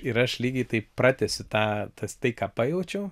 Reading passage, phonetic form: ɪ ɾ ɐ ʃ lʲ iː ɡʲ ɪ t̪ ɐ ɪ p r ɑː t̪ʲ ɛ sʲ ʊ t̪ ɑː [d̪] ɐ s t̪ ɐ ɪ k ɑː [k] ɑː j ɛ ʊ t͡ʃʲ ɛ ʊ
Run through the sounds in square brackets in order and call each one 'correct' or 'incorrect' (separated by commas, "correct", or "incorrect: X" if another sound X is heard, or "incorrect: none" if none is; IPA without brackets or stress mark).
incorrect: t̪, incorrect: p